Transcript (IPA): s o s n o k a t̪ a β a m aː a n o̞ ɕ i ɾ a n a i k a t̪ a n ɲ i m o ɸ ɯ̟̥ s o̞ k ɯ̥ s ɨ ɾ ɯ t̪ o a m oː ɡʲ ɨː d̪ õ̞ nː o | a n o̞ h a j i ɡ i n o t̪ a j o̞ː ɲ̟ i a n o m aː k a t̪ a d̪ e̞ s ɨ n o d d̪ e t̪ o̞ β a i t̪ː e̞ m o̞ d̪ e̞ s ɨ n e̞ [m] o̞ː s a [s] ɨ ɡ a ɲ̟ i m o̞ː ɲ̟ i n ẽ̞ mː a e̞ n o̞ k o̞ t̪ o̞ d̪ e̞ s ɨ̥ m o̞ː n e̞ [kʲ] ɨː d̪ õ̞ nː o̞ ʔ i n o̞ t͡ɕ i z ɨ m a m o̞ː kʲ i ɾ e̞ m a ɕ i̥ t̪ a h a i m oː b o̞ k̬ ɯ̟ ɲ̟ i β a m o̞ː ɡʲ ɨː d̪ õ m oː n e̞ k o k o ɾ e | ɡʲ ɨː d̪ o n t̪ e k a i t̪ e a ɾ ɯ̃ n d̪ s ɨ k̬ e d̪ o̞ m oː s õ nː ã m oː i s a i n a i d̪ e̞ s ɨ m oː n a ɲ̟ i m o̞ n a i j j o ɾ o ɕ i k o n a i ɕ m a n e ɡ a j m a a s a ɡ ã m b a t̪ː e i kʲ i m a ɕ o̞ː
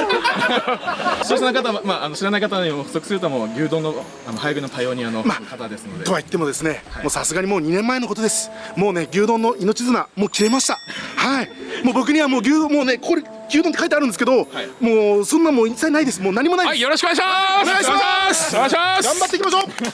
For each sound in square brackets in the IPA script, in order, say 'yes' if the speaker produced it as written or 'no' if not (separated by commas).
yes, yes, no